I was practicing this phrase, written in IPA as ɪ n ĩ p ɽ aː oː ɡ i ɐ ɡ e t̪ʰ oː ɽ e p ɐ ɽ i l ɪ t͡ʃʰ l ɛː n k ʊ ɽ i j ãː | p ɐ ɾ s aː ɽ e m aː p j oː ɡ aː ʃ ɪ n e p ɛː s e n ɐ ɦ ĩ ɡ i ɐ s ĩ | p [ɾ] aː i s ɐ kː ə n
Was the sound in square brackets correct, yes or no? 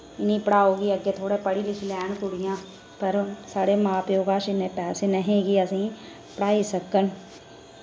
no